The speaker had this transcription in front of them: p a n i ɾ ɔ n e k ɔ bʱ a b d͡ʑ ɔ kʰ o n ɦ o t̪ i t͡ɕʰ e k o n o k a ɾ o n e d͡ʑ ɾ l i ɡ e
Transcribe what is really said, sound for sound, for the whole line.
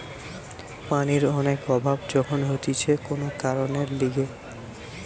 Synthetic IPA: p a n i ɾ ɔ n e k ɔ bʱ a b d͡ʑ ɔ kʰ o n ɦ o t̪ i t͡ɕʰ e k o n o k a ɾ o n e ɾ l i ɡ e